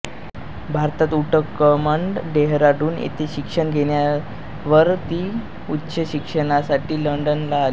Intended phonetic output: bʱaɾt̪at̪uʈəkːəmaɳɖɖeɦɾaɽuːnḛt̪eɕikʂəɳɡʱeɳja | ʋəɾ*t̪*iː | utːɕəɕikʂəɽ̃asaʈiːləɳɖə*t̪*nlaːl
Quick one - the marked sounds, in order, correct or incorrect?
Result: correct, incorrect: none

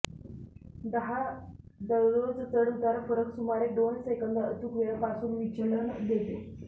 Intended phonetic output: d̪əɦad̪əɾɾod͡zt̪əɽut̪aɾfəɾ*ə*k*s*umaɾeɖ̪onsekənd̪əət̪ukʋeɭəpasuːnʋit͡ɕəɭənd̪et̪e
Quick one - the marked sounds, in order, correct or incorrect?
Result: correct, correct

